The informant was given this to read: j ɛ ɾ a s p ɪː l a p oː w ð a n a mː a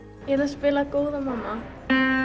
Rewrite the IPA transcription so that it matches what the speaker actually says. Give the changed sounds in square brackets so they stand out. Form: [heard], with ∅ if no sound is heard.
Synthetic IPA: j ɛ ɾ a s p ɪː l a [k] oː w ð a [m] a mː a